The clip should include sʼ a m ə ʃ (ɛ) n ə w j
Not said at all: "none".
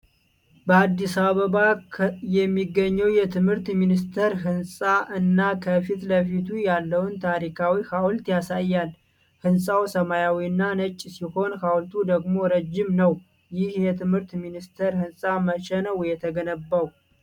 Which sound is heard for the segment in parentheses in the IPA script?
ɛ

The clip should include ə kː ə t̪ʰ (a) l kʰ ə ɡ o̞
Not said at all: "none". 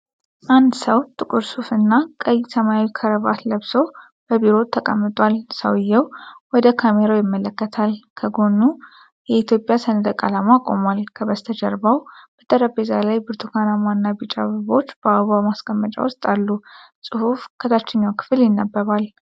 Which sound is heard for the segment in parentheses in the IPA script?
a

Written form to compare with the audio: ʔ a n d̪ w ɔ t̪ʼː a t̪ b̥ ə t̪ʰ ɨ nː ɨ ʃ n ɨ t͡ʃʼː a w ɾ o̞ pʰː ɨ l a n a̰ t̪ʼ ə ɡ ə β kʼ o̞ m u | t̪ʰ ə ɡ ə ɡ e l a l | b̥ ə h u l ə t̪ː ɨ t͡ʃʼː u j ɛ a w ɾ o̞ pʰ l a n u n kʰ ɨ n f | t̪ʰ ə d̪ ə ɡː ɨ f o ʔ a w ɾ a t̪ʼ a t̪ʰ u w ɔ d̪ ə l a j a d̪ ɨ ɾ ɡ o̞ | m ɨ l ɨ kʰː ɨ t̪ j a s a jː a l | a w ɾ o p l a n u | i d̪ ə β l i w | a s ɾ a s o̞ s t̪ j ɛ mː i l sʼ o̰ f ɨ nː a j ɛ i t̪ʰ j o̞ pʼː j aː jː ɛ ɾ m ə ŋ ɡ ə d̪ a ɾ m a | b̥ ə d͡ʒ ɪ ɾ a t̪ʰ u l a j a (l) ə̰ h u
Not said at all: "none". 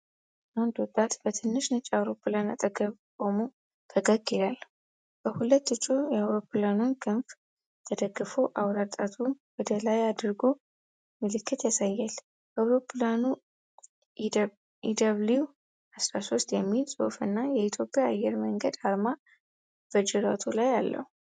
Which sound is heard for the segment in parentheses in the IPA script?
lː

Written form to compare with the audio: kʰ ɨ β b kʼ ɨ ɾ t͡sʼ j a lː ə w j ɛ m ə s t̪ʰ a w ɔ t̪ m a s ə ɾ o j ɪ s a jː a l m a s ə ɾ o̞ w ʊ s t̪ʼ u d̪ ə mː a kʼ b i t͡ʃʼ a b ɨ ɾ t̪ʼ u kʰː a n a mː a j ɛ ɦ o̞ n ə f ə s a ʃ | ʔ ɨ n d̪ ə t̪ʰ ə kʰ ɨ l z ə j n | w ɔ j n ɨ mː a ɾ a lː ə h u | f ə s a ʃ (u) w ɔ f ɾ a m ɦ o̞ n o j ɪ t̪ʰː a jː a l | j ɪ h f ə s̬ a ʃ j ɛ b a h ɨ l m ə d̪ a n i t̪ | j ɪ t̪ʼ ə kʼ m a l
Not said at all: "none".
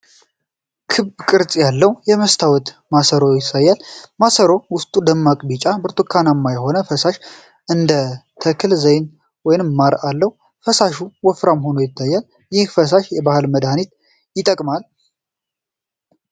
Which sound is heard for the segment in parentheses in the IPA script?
u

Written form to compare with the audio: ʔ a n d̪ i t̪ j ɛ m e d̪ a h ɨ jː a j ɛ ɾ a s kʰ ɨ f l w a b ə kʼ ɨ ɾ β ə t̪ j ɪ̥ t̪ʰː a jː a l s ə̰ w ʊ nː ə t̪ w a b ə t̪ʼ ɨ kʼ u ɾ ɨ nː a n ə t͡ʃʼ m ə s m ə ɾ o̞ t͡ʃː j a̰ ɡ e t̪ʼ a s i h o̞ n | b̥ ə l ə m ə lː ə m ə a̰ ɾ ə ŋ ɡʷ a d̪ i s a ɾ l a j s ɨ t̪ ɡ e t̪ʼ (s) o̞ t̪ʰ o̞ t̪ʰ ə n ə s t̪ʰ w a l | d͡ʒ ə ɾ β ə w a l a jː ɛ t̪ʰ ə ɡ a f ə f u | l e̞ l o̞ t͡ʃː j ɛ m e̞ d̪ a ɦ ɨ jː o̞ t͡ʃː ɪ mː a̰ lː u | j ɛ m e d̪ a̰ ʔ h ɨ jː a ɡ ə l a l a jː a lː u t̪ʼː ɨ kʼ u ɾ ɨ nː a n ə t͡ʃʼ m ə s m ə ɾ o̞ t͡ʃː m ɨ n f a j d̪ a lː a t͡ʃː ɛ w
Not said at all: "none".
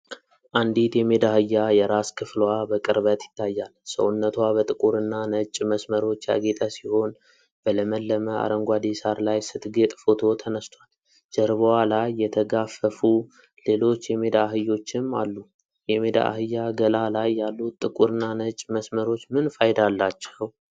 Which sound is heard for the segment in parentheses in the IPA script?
f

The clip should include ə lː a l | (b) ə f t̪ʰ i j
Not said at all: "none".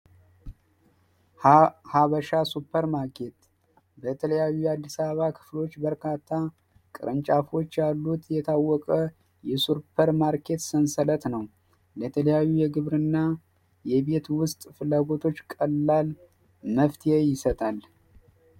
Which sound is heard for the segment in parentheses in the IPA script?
m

